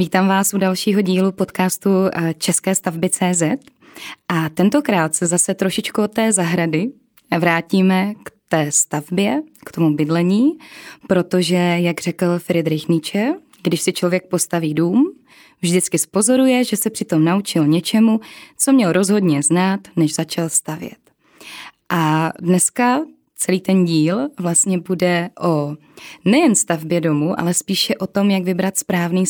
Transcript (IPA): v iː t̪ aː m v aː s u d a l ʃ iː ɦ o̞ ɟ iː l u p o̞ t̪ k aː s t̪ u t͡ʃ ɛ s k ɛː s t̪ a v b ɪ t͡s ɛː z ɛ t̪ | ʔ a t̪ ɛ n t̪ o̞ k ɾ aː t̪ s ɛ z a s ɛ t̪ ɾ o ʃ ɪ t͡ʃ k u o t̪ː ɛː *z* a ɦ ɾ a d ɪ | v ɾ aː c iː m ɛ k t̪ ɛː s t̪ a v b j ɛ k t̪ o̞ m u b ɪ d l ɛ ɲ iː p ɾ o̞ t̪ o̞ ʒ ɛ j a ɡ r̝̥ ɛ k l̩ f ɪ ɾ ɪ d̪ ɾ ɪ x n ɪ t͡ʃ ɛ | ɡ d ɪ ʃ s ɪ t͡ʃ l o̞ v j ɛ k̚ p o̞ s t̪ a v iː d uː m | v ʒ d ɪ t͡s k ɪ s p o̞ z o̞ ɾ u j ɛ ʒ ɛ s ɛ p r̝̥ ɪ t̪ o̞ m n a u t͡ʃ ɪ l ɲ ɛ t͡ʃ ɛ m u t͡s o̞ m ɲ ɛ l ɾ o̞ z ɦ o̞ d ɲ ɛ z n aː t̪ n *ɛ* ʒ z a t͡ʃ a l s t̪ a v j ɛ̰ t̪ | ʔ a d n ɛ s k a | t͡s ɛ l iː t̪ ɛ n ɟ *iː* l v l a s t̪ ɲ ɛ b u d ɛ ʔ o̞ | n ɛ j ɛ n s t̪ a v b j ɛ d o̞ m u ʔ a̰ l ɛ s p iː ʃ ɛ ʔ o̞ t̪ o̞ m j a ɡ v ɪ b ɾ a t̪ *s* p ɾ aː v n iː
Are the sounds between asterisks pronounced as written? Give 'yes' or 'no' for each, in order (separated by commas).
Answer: yes, yes, yes, yes